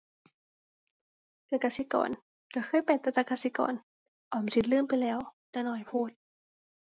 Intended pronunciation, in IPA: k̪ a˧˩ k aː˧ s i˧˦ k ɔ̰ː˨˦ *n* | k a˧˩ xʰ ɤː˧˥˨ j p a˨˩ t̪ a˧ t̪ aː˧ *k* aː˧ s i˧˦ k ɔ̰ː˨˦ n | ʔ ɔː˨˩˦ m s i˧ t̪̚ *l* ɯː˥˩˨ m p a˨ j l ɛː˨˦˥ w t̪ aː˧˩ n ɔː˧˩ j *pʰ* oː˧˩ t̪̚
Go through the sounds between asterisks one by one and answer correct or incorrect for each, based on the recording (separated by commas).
correct, correct, correct, correct